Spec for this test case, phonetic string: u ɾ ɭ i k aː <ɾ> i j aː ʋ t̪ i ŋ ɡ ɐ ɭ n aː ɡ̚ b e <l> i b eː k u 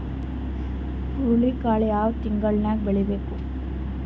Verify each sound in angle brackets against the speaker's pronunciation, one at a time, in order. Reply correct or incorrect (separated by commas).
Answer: incorrect, incorrect